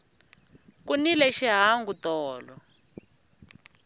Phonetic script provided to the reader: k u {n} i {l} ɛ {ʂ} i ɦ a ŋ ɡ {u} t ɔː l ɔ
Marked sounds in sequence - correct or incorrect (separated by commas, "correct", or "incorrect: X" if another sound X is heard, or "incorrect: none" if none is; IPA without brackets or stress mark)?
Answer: correct, correct, incorrect: ʃ, correct